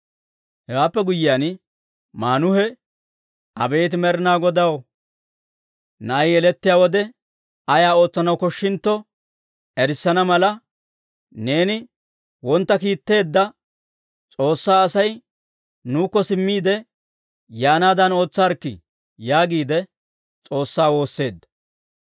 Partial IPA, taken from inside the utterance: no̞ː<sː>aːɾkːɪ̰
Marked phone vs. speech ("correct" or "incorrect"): incorrect